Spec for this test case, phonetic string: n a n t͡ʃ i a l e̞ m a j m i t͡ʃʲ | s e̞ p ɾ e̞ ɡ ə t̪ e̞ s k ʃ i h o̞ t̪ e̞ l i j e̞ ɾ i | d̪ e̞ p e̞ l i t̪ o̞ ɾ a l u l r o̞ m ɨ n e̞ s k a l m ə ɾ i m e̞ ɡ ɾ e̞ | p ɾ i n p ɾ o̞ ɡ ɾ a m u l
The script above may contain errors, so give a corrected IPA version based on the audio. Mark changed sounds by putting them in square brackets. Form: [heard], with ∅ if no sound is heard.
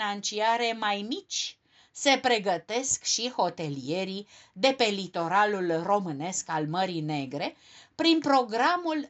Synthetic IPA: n a n t͡ʃ i a [ɾ] e̞ m a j m i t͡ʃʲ | s e̞ p ɾ e̞ ɡ ə t̪ e̞ s k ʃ i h o̞ t̪ e̞ l i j e̞ ɾ i | d̪ e̞ p e̞ l i t̪ o̞ ɾ a l u l r o̞ m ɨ n e̞ s k a l m ə ɾ i [n] e̞ ɡ ɾ e̞ | p ɾ i n p ɾ o̞ ɡ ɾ a m u l